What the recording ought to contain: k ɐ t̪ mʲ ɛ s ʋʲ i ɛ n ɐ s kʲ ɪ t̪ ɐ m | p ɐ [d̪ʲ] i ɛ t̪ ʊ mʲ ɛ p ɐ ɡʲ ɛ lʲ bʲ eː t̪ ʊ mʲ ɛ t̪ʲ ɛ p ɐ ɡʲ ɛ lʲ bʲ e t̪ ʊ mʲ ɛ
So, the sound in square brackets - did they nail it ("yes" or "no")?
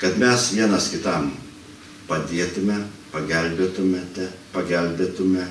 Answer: yes